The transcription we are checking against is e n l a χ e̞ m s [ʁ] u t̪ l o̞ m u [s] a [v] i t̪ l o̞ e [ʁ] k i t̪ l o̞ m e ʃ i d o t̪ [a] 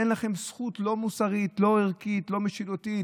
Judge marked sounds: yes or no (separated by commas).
no, yes, no, yes, no